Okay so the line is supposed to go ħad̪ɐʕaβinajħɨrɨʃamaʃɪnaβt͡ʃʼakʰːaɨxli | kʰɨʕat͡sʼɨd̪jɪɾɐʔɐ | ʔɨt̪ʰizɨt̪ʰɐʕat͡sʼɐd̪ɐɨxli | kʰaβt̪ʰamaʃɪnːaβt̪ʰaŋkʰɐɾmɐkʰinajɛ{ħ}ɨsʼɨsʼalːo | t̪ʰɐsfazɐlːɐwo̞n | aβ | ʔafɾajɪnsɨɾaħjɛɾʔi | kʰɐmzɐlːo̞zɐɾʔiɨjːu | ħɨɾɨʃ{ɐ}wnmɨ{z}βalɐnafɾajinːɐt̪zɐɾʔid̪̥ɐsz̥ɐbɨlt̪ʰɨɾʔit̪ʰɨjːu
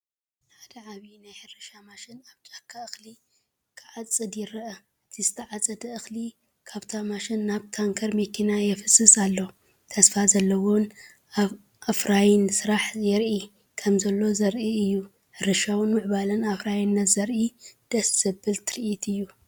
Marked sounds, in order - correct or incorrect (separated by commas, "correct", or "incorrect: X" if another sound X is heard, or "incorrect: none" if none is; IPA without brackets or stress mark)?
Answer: incorrect: f, incorrect: a, incorrect: ʕ